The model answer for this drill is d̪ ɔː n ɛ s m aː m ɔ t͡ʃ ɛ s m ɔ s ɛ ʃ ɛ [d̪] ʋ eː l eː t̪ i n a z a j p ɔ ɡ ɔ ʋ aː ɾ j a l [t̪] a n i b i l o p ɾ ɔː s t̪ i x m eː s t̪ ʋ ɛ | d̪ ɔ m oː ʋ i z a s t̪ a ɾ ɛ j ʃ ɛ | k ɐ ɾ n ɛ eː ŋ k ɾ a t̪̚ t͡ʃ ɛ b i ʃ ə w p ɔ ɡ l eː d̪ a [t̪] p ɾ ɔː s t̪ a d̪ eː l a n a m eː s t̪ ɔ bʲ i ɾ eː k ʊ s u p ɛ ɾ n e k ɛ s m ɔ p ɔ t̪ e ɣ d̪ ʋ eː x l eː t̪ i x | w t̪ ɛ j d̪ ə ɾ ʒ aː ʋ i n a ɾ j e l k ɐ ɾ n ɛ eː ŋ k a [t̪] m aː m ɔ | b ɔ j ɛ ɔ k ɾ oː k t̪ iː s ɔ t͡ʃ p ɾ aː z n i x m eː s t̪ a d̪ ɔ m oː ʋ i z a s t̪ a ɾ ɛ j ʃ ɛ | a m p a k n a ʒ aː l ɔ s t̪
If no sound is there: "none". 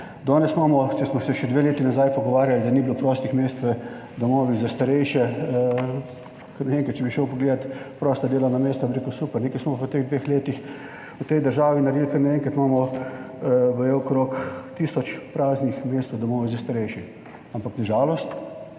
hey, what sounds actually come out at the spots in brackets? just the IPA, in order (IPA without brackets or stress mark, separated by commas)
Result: d̪, d̪, t̪, t̪